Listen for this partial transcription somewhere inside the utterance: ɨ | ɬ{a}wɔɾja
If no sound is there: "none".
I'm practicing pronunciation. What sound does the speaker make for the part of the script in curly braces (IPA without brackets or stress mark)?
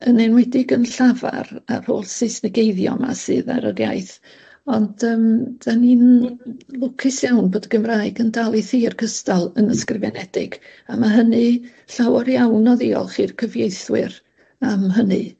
a